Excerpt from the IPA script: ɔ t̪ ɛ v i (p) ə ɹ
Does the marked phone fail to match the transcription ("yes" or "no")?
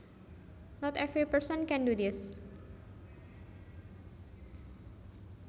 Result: no